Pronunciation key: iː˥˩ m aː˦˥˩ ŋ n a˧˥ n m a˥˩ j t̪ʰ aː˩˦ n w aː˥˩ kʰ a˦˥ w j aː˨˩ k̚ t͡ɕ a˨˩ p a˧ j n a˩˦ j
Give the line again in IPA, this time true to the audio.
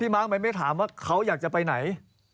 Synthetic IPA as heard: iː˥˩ m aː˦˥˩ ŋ m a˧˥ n m a˥˩ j t̪ʰ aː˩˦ m w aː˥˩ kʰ a˦˥ w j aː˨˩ k̚ t͡ɕ a˨˩ p a˧ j n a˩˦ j